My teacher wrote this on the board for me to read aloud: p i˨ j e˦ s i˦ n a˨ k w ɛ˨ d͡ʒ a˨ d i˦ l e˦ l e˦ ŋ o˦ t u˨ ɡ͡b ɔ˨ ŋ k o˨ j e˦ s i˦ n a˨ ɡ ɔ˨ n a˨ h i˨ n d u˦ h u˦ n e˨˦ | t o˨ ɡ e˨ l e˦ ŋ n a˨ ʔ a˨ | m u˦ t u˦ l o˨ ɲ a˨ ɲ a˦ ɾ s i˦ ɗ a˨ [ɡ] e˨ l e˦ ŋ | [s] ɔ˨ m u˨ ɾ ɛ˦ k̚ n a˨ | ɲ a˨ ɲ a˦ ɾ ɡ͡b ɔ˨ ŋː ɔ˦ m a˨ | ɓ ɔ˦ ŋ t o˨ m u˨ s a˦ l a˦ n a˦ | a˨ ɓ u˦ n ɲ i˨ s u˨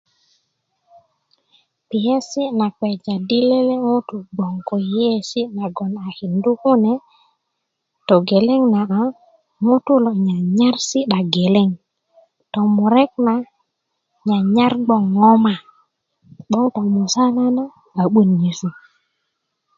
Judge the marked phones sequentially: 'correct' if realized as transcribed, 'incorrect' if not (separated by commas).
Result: correct, incorrect